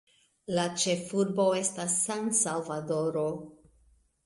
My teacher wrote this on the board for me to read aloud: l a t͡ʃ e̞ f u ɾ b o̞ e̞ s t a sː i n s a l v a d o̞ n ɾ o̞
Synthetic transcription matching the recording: l a t͡ʃ e̞ f u ɾ b o̞ e̞ s t a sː a n s a l v a d o̞ ɾ o̞